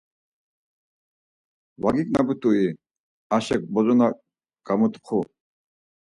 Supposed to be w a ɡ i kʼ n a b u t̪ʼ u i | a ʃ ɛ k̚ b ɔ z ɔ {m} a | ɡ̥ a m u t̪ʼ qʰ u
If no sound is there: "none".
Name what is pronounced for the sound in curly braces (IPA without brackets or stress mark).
n